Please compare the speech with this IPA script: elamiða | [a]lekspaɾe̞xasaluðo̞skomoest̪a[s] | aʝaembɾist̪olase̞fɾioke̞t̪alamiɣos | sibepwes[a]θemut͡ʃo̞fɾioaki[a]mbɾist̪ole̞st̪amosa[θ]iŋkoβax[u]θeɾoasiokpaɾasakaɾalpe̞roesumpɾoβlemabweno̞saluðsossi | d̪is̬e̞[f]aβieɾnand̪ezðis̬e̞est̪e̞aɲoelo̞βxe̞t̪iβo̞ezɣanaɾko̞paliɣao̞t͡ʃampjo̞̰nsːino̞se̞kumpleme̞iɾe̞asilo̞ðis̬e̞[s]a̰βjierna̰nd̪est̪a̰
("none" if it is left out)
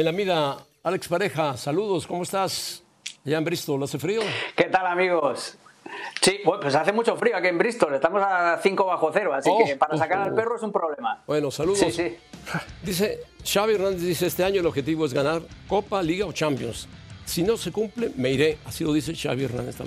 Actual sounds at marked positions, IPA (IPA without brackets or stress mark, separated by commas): a, s, a, e, θ, o, ʃ, ʃ